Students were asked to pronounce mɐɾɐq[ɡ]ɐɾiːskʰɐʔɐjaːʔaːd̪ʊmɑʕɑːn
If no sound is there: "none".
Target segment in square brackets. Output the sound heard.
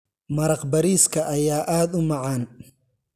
b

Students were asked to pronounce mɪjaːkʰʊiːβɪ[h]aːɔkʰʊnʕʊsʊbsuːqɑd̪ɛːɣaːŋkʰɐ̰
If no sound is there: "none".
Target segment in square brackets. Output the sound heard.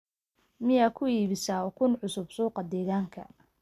s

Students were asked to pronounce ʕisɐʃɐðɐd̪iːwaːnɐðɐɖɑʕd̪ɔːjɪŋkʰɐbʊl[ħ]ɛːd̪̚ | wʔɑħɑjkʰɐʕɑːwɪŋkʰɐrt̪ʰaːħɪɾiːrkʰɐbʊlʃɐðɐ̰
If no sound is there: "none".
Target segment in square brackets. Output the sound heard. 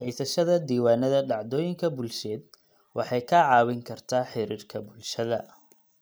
ʃ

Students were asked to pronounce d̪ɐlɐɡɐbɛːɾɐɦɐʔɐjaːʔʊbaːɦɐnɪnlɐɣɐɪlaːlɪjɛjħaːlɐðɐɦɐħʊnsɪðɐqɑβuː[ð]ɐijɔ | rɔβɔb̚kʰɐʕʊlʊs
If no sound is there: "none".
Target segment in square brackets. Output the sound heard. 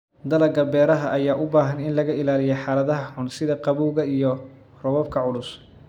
ɣ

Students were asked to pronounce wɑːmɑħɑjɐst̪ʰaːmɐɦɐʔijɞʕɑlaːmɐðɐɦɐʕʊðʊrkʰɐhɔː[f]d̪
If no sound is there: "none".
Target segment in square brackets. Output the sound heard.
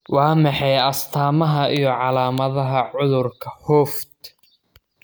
f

